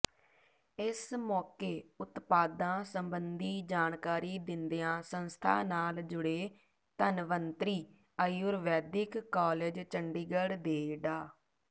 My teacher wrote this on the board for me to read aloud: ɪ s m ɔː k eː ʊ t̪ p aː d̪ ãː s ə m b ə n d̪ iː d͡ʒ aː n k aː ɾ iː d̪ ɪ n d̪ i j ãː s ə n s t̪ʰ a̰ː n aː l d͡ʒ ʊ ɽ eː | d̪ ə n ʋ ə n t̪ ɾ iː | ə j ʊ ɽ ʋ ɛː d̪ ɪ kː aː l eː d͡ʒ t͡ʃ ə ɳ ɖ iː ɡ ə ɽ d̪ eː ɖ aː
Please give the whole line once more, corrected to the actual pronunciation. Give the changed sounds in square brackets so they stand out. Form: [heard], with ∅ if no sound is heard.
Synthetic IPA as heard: ɪ s m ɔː k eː ʊ t̪ p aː d̪ ãː s ə m b ə n d̪ iː d͡ʒ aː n k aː ɾ iː d̪ ɪ n d̪ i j ãː s ə n s t̪ʰ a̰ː n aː l d͡ʒ ʊ ɽ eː | [t̪] ə n ʋ ə n t̪ ɾ iː | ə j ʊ [ɾ] ʋ ɛː d̪ ɪ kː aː l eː d͡ʒ t͡ʃ ə ɳ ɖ iː ɡ ə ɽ d̪ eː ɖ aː